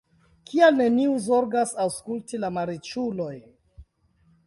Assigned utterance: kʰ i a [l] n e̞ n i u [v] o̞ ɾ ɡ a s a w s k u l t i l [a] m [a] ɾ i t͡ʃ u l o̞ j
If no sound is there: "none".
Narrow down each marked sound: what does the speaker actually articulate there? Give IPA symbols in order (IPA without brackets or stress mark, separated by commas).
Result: l, z, a, a